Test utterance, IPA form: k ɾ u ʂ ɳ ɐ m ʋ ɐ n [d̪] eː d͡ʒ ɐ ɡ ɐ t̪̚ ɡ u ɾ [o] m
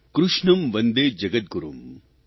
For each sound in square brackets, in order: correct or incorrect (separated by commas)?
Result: correct, incorrect